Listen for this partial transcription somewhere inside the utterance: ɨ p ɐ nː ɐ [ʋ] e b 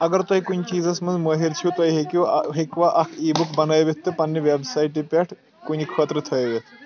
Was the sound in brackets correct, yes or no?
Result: yes